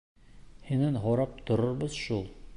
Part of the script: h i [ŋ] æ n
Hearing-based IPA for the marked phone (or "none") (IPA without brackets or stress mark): n